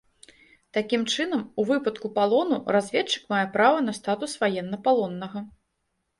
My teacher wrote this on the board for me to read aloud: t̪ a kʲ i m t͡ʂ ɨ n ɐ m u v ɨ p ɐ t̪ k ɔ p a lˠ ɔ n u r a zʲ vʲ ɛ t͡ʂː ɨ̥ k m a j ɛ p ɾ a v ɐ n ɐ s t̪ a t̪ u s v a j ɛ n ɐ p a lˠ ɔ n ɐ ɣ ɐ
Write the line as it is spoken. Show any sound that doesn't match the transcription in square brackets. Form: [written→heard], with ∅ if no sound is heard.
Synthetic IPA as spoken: t̪ a kʲ i m t͡ʂ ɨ n ɐ m u v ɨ p ɐ t̪ k [ɔ→u] p a lˠ ɔ n u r a zʲ vʲ ɛ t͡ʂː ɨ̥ k m a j ɛ p ɾ a v ɐ n ɐ s t̪ a t̪ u s v a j ɛ [n→nː] ɐ p a lˠ ɔ [n→nː] ɐ ɣ ɐ